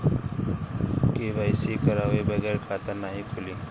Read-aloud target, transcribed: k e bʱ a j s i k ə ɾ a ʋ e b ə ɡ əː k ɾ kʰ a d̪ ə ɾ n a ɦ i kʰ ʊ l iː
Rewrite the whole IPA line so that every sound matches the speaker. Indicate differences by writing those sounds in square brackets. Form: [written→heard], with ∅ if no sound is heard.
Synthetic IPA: k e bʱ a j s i k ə ɾ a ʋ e b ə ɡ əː [k→∅] ɾ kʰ a [d̪→t̪] ə ɾ n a ɦ i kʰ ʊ l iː